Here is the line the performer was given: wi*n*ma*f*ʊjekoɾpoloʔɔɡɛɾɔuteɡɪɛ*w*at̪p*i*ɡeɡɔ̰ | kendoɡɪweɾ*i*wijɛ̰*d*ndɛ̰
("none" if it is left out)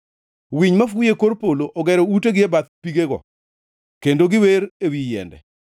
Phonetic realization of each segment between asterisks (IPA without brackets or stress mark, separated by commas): ɲ, f, b, i, e, none